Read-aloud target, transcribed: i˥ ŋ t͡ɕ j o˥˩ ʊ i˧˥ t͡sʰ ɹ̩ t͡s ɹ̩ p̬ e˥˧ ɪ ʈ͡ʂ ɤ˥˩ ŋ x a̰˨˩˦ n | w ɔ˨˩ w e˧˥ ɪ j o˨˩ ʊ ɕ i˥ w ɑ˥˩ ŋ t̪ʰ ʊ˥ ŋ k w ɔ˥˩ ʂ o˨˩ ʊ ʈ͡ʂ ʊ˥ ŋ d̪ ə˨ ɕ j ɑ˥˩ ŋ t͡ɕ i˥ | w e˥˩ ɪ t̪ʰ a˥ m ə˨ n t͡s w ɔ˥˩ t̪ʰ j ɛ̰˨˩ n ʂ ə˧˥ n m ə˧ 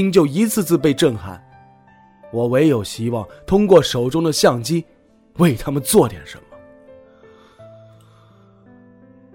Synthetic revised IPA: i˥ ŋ t͡ɕ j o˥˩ ʊ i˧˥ t͡sʰ ɹ̩ t͡s ɹ̩ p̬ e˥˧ ɪ ʈ͡ʂ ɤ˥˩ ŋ x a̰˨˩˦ n | w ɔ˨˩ w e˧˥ ɪ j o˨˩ ʊ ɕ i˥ w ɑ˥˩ ŋ t̪ʰ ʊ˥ ŋ k w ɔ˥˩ ʂ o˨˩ ʊ ʈ͡ʂ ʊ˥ ŋ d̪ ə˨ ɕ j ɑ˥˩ ŋ t͡ɕ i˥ | w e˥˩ ɪ t̪ʰ a˥ m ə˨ n t͡s w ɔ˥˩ t̪ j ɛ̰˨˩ n ʂ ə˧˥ n m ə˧